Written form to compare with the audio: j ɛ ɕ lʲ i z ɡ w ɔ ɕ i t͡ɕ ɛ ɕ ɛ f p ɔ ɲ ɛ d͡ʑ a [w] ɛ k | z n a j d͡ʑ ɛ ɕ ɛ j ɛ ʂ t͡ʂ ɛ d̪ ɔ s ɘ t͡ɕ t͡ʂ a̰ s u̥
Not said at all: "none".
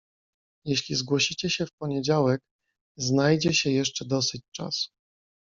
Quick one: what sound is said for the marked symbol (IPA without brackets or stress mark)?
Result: w